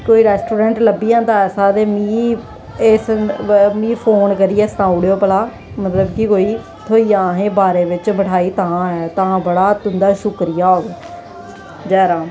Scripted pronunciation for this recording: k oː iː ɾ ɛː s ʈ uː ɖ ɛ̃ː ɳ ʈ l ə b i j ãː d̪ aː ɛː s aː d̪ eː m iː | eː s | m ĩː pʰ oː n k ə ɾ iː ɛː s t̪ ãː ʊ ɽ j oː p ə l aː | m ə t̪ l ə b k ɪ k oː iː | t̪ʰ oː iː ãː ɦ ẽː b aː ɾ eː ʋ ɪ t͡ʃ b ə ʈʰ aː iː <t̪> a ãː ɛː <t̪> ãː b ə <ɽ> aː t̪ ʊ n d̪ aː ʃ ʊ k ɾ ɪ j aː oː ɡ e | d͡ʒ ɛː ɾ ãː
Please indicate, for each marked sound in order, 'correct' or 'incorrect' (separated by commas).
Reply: correct, correct, correct